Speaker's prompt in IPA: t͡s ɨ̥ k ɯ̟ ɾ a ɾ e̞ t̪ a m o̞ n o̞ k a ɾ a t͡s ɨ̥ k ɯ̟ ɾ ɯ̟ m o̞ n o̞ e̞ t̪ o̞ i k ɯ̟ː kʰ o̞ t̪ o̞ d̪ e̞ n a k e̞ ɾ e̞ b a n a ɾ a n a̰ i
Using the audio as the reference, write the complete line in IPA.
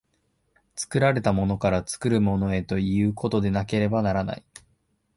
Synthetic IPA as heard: t͡s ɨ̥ k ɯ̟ ɾ a ɾ e̞ t̪ a m o̞ n o̞ k a ɾ a t͡s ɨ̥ k ɯ̟ ɾ ɯ̟ m o̞ n o̞ e̞ t̪ o̞ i ɯ̟ː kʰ o̞ t̪ o̞ d̪ e̞ n a k e̞ ɾ e̞ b a n a ɾ a n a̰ i